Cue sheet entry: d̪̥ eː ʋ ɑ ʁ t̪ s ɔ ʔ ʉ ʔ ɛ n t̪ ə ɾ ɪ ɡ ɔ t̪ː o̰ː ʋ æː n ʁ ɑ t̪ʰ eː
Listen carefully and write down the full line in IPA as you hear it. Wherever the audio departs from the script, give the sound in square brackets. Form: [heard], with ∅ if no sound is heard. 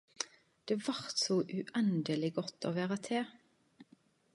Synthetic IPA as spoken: d̪̥ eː ʋ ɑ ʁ t̪ s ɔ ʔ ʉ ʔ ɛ n [d̪] ə [l] ɪ ɡ ɔ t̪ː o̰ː ʋ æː [∅] ʁ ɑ t̪ʰ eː